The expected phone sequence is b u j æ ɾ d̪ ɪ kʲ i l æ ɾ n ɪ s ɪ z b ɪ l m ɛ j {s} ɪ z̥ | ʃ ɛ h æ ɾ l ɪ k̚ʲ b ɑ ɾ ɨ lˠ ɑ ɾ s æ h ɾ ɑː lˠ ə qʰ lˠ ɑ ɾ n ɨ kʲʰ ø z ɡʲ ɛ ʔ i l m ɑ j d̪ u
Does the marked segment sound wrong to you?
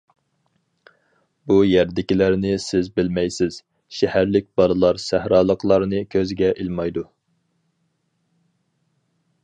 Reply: no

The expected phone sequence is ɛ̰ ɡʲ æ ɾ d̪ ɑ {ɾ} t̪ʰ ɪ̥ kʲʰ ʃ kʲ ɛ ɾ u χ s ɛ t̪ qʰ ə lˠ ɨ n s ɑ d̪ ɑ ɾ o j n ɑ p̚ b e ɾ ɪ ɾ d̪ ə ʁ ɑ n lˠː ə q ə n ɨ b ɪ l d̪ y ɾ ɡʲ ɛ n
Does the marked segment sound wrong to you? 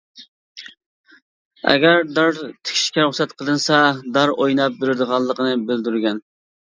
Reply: no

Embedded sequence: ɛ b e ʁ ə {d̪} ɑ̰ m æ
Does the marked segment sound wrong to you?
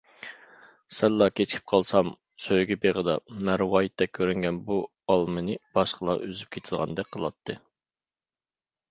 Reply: no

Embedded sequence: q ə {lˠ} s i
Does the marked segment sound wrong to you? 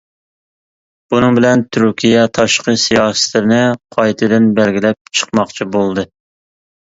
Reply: yes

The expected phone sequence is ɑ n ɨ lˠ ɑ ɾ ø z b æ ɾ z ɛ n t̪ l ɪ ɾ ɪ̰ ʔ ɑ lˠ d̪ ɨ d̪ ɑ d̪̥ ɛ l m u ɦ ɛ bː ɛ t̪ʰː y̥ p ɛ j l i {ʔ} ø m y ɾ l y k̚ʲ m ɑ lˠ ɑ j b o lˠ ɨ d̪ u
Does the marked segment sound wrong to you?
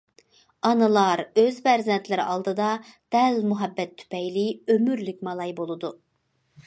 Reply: yes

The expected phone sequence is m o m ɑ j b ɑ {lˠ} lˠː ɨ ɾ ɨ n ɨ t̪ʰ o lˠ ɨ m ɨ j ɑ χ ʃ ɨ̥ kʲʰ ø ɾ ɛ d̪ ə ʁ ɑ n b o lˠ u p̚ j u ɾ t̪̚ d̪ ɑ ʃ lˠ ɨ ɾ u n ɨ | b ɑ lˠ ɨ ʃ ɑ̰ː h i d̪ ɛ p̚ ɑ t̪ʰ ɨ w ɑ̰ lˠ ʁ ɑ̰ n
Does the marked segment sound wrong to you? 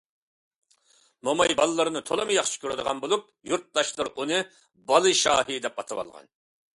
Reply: no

